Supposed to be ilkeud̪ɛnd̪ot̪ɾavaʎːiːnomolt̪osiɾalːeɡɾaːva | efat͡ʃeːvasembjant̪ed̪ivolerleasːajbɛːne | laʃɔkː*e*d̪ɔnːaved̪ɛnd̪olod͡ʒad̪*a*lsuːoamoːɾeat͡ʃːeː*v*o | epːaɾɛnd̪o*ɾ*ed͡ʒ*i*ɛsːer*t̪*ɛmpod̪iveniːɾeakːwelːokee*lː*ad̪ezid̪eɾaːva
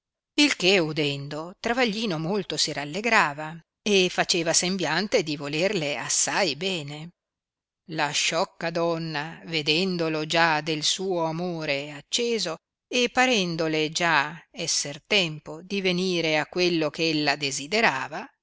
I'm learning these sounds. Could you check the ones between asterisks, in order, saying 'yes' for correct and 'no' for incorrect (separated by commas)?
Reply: no, no, no, no, no, yes, yes